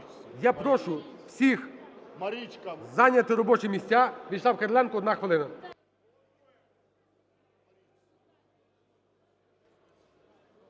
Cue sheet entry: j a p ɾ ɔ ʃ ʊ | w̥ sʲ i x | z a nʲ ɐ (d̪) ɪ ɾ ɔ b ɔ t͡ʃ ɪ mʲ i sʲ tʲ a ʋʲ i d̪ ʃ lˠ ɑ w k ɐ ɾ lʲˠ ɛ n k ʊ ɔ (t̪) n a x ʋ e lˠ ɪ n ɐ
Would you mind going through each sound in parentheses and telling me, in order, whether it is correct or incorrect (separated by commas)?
incorrect, incorrect